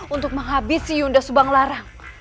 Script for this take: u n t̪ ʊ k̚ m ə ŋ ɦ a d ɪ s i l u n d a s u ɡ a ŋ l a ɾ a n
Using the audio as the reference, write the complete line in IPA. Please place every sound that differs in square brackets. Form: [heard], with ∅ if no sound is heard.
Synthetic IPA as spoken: u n t̪ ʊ k̚ m ə ŋ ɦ a [b] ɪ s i [∅] u n d a s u [b] a ŋ l a ɾ a [ŋ]